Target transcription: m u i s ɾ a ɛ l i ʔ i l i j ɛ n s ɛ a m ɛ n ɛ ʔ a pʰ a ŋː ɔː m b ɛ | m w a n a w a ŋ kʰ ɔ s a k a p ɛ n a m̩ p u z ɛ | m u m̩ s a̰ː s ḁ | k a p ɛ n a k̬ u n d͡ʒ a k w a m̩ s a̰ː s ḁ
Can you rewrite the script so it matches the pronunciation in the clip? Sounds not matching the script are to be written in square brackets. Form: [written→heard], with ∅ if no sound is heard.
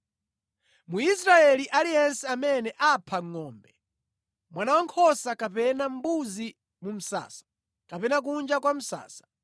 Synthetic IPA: m u i s ɾ a ɛ l i ʔ [i→a] l i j ɛ n s ɛ a m ɛ n ɛ ʔ a pʰ a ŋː ɔː m b ɛ | m w a n a w a ŋ kʰ ɔ s a k a p ɛ n a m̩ [p→b] u z [ɛ→i] | m u m̩ s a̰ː s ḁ | k a p ɛ n a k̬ u n d͡ʒ a k w a m̩ s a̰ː s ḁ